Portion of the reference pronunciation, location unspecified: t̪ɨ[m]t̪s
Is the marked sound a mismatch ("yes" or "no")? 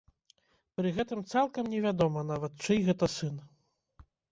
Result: no